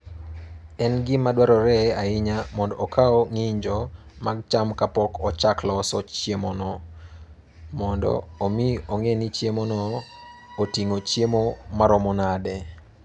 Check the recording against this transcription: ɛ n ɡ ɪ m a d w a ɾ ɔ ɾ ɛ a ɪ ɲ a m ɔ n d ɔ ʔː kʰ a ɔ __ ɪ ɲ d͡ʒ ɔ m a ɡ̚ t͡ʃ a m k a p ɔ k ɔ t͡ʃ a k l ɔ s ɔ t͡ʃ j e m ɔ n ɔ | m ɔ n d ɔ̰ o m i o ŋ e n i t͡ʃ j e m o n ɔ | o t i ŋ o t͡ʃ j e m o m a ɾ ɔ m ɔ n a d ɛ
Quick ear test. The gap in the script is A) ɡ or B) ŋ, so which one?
B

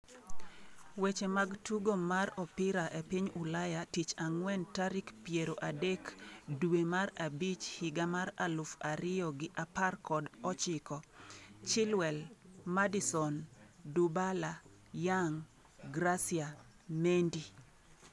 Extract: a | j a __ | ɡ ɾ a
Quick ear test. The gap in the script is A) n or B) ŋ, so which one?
B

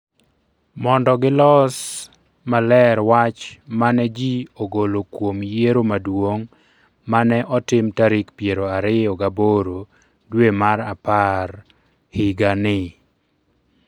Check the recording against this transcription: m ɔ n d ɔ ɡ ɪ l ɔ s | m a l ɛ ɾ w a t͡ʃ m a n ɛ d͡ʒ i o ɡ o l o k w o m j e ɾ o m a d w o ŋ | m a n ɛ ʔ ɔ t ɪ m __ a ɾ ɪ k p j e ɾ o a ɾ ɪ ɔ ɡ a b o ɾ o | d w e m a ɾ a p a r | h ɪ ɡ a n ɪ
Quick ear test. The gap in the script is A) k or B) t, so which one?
B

